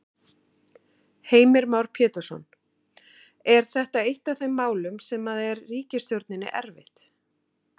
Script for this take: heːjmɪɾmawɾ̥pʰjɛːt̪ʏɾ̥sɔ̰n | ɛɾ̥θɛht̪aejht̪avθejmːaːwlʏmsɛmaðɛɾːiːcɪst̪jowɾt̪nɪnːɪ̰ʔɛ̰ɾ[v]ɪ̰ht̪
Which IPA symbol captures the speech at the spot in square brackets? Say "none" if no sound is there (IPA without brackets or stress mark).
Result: v